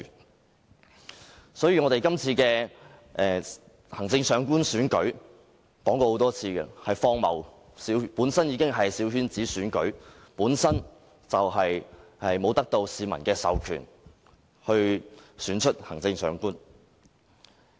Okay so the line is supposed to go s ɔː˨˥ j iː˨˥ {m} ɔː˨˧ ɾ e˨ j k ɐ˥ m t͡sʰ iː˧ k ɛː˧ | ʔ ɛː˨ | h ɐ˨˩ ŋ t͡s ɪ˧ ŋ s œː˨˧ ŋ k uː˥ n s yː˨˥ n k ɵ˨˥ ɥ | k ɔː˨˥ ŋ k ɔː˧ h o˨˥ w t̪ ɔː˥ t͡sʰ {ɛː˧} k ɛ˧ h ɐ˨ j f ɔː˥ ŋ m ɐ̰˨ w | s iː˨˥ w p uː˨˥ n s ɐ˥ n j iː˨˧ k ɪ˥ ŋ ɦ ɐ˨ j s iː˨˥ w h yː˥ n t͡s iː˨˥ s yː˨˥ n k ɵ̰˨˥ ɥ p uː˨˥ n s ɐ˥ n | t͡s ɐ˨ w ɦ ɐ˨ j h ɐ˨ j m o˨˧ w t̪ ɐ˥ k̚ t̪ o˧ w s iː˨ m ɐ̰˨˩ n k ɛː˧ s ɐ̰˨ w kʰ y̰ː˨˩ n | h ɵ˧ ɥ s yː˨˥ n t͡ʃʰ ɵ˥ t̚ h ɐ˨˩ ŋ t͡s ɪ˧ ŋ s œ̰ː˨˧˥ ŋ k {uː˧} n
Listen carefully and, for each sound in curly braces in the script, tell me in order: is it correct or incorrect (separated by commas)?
incorrect, incorrect, incorrect